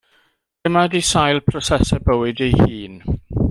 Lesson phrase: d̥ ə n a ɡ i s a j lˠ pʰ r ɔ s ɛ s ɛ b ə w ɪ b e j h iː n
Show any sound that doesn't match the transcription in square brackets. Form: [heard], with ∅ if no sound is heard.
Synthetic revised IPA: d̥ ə [m] a [d] i s a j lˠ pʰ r ɔ s ɛ s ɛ b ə w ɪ [d] e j h iː n